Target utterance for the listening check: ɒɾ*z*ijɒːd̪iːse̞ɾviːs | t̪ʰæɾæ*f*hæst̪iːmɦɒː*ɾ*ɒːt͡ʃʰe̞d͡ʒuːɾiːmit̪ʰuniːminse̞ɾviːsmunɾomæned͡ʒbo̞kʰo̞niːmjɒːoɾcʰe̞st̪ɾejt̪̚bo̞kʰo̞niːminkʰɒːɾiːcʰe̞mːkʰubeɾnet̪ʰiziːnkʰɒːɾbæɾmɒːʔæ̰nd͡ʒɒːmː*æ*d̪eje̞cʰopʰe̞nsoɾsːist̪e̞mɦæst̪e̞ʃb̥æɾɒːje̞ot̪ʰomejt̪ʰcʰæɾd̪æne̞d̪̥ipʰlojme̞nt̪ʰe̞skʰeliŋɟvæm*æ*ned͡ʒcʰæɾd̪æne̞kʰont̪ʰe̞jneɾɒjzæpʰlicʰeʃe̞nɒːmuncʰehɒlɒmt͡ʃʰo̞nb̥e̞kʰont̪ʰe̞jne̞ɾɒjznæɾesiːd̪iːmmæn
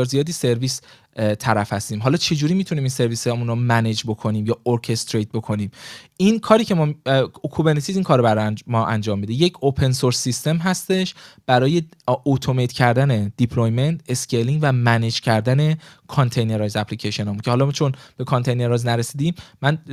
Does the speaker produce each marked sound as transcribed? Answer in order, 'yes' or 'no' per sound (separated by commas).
yes, yes, no, no, yes